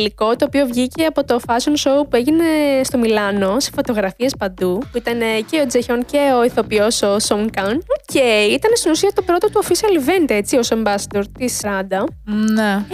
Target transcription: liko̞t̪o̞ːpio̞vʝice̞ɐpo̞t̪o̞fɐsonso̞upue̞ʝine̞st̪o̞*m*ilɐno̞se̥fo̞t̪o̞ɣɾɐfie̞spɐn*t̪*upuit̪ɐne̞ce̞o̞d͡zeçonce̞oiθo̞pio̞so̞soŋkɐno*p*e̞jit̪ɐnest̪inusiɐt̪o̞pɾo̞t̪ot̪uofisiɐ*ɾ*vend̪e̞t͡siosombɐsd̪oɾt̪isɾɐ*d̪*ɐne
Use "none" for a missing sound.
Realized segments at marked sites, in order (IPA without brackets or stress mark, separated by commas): m, d̪, c, l, d̪